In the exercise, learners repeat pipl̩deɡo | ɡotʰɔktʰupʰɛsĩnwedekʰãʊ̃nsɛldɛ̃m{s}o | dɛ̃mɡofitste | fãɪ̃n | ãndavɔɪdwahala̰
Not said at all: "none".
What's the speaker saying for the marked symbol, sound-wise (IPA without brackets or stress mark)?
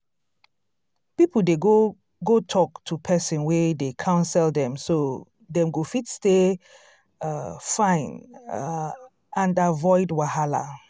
s